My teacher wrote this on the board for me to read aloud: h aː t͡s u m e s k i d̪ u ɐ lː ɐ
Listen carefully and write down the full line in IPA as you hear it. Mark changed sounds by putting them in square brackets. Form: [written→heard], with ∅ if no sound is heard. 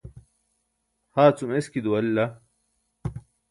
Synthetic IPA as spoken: h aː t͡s u m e s k i d̪ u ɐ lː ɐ

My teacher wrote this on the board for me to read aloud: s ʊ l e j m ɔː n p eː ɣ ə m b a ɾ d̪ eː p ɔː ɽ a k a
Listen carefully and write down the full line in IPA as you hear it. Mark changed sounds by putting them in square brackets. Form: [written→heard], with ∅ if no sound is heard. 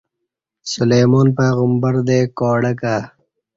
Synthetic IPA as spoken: s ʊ l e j m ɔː n p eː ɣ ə m b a ɾ d̪ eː [p→k] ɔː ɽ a k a

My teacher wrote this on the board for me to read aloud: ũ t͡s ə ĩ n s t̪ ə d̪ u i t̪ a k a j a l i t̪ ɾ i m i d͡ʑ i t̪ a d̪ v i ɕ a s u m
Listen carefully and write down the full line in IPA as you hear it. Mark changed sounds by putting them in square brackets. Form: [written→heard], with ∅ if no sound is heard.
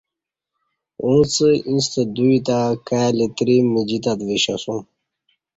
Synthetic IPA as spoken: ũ t͡s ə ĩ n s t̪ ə d̪ u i t̪ a k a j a l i t̪ ɾ i m i d͡ʑ i t̪ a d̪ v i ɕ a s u m

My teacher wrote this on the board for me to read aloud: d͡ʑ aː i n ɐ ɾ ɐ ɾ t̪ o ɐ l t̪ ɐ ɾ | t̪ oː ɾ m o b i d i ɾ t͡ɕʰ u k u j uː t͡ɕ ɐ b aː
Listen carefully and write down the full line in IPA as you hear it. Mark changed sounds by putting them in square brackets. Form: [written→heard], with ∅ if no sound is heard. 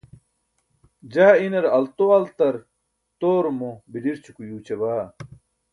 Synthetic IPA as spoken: d͡ʑ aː i n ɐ ɾ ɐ [ɾ→l] t̪ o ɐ l t̪ ɐ ɾ | t̪ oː ɾ m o b i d i ɾ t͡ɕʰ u k u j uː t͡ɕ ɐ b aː

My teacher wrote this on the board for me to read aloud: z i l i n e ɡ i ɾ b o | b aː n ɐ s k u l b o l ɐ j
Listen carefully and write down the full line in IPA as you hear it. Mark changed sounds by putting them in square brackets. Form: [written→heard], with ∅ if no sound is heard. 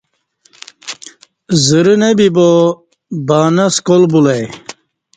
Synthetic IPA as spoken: z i [l→ɾ] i n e [ɡ→b] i [ɾ→∅] b o | b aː n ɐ s k [u→o] l b [o→u] l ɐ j

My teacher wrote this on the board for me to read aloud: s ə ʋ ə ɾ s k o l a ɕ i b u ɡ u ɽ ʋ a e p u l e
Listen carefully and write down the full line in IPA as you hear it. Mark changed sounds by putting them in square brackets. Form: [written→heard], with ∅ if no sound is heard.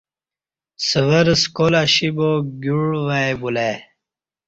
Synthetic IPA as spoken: s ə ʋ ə ɾ s k o l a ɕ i b [u→o] ɡ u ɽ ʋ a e [p→b] u l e

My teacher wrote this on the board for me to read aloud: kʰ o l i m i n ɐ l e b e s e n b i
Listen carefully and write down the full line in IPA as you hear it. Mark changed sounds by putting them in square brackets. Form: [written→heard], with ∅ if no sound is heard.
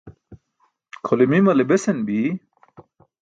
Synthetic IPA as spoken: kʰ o l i m i [n→m] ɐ l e b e s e n b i

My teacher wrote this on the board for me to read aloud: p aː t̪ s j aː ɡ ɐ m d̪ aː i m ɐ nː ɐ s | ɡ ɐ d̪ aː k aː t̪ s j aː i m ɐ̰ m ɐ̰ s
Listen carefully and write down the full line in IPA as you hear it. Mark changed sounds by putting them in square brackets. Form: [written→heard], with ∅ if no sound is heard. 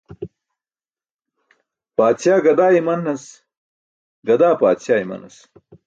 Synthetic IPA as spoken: p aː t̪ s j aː ɡ ɐ [m→∅] d̪ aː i m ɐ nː ɐ s | ɡ ɐ d̪ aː [k→p] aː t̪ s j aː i m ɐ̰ [m→n] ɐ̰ s

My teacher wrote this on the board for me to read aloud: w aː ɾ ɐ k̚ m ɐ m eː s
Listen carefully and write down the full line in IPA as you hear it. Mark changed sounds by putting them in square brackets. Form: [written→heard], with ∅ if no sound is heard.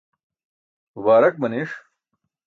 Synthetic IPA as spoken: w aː ɾ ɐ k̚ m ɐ [m→n] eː [s→ʂ]

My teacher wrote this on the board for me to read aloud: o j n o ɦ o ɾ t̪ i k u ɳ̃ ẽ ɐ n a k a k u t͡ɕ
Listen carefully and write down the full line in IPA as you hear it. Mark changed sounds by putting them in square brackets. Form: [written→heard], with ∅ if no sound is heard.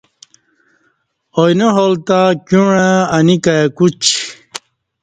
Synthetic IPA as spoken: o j n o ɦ o [ɾ→l] t̪ [i→a] k u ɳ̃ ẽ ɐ n [a→i] k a k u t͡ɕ

